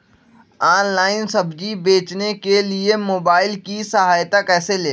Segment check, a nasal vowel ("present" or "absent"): absent